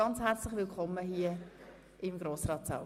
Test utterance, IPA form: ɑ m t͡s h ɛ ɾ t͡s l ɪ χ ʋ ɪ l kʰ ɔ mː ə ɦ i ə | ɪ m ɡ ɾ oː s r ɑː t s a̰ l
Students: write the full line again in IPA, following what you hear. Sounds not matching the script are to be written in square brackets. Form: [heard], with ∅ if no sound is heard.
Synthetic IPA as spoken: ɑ [n] t͡s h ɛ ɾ t͡s l ɪ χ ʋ ɪ l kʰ ɔ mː ə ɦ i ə | ɪ m ɡ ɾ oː s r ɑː t s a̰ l